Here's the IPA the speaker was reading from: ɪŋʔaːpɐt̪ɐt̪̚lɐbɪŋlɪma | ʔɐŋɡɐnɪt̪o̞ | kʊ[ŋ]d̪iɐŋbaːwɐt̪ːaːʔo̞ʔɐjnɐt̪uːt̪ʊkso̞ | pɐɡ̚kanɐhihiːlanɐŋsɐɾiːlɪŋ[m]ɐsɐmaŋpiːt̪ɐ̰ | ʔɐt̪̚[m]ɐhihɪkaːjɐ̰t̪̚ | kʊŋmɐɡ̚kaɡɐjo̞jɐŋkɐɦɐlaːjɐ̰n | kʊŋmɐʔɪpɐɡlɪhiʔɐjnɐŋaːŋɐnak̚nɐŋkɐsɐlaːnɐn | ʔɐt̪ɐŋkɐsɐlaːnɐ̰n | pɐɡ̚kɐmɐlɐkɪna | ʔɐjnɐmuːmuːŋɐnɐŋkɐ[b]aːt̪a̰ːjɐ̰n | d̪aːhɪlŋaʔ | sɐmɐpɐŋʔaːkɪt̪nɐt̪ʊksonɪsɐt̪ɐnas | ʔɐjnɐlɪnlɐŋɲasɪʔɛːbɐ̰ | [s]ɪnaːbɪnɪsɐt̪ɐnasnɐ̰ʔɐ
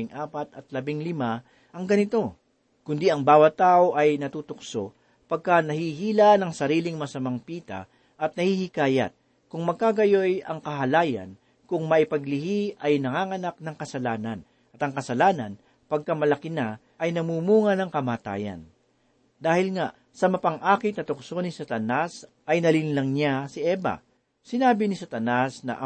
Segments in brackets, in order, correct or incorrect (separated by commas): incorrect, correct, incorrect, incorrect, correct